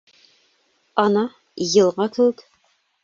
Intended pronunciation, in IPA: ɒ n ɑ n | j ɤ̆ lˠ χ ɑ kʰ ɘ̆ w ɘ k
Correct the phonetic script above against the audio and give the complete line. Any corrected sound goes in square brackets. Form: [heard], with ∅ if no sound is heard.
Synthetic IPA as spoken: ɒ n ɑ [∅] | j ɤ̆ lˠ [ʁ] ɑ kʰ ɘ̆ w ɘ k